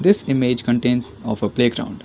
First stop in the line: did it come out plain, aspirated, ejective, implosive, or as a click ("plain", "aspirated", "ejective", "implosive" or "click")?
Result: plain